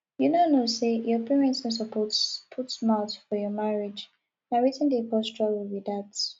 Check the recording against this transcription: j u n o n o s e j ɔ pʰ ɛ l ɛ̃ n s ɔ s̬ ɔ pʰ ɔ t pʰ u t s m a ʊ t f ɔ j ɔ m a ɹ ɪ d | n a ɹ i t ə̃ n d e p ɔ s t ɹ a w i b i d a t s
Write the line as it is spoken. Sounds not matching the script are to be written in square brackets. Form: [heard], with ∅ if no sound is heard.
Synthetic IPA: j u n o n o s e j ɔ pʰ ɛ [ɹ] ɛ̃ n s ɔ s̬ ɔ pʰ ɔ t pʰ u t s m a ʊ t f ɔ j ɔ m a ɹ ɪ [d͡ʒ] | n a ɹ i t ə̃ n d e p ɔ s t ɹ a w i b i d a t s

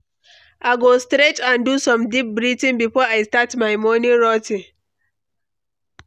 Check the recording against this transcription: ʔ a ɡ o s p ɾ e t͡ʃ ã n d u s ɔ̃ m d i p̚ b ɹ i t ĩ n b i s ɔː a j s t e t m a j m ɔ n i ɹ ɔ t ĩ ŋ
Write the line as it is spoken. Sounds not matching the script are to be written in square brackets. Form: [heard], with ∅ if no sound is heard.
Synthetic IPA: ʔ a ɡ o s [t] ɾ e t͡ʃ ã n d u s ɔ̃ m d i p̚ b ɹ i t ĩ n b i [f] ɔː a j s t [a] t m a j m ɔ n i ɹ ɔ t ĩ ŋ

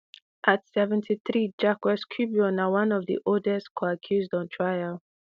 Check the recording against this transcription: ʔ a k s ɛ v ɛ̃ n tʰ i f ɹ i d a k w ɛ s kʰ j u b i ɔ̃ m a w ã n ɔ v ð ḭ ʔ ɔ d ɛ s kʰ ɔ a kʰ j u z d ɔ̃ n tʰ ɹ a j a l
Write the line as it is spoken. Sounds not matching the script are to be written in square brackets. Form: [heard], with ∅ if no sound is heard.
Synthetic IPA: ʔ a [t] s ɛ v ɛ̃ n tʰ i [θ] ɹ i [d͡ʒ] a k w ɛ s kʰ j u b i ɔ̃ [n] a w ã n ɔ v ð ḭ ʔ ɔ d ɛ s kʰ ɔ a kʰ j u z d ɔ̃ n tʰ ɹ a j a l

